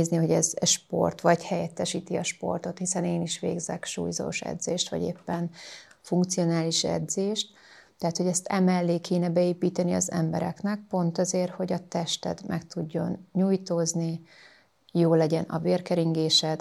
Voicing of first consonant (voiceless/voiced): voiced